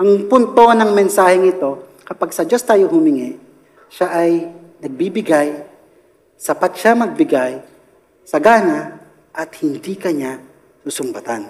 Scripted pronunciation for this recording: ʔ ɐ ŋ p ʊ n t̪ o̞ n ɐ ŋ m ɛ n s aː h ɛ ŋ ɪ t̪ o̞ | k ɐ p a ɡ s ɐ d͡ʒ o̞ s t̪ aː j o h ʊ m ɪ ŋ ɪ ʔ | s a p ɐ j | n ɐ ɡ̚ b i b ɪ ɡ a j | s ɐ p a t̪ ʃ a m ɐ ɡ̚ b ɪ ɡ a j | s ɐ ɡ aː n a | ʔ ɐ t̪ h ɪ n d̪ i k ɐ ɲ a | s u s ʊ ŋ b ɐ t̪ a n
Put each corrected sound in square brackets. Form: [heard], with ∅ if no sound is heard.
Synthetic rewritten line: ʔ ɐ ŋ p ʊ n t̪ o̞ n ɐ ŋ m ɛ n s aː h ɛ ŋ ɪ t̪ o̞ | k ɐ p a ɡ s ɐ d͡ʒ o̞ s t̪ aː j o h ʊ m ɪ ŋ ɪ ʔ | [ʃ] a [ʔ] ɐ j | n ɐ ɡ̚ b i b ɪ ɡ a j | s ɐ p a t̪ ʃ a m ɐ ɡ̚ b ɪ ɡ a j | s ɐ ɡ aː n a | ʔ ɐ t̪ h ɪ n d̪ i k ɐ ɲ a | s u s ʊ [m] b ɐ t̪ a n